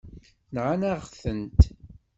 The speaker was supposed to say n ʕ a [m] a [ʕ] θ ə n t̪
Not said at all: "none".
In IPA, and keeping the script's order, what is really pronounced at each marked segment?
n, ʁ

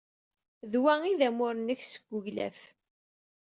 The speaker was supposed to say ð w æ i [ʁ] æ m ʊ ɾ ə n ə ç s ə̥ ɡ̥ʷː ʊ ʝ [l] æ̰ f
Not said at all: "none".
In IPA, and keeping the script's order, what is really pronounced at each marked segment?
ð, l

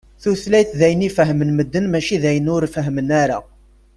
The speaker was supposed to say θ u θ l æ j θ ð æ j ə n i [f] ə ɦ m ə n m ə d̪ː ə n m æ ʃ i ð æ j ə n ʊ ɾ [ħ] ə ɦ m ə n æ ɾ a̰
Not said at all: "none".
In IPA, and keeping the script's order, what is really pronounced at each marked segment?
f, f

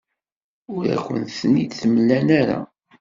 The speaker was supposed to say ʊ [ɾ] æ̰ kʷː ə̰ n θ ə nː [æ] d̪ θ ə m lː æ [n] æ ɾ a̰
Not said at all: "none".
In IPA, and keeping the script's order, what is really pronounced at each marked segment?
ɾ, i, n

